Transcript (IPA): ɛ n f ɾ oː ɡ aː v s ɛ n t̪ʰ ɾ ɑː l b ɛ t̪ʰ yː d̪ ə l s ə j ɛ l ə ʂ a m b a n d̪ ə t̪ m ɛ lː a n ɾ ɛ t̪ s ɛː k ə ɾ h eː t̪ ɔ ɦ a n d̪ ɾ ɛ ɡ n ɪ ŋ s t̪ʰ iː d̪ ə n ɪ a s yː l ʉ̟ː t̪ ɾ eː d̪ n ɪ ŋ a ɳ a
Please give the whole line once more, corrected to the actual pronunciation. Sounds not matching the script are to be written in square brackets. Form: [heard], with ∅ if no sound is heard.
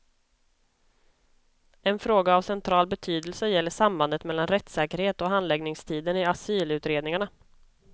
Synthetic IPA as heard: ɛ n f ɾ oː ɡ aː v s ɛ n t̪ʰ ɾ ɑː l b ɛ t̪ʰ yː d̪ ə l s ə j ɛ [lː] ə ʂ a m b a n d̪ ə t̪ m ɛ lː a n ɾ ɛ t̪ s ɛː k ə ɾ h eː t̪ ɔ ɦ a n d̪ [l] ɛ ɡ n ɪ ŋ s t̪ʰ iː d̪ ə n ɪ a s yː l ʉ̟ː t̪ ɾ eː d̪ n ɪ ŋ a ɳ a